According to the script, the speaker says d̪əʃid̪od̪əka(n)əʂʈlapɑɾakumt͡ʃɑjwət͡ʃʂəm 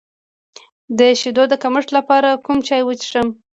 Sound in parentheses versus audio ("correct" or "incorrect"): incorrect